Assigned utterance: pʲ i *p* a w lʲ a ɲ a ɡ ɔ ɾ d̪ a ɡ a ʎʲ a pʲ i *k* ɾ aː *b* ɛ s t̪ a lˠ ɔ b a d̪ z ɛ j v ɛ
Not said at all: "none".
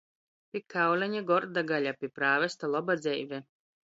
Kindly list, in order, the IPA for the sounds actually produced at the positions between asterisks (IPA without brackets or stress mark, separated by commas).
k, p, v